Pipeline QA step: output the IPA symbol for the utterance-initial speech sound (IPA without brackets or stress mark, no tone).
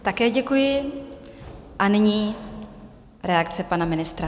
t̪